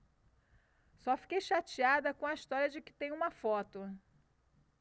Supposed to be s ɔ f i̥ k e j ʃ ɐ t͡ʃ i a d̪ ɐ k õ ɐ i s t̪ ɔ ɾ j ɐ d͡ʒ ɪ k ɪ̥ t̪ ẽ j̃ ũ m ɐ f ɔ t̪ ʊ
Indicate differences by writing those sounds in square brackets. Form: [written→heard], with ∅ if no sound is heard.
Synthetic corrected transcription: s ɔ f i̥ k e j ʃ [ɐ→a] t͡ʃ i a d̪ ɐ k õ ɐ i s t̪ ɔ ɾ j ɐ d͡ʒ ɪ k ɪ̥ t̪ ẽ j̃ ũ m ɐ f ɔ t̪ ʊ

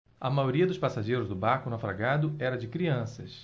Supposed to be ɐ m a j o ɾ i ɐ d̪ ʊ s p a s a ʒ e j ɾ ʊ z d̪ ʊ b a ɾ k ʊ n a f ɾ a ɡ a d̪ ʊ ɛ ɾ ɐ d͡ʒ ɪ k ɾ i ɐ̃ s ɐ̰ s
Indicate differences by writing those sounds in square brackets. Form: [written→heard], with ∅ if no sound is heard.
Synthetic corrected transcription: ɐ m a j o ɾ i ɐ d̪ ʊ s p a s a ʒ e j ɾ ʊ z d̪ ʊ b a ɾ k ʊ n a f ɾ a ɡ a d̪ ʊ ɛ ɾ ɐ d͡ʒ ɪ k ɾ i ɐ̃ s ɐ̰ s

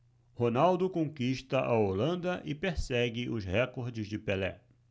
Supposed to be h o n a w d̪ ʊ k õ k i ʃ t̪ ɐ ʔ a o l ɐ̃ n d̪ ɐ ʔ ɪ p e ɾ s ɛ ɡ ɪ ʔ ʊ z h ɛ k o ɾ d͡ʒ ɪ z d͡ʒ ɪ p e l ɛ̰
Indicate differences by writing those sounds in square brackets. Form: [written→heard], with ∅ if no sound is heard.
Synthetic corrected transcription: h o n a w d̪ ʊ k õ k i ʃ t̪ ɐ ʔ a o l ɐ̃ n d̪ ɐ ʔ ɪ p e ɾ s ɛ ɡ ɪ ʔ ʊ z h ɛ k o ɾ d͡ʒ ɪ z d͡ʒ ɪ p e l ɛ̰

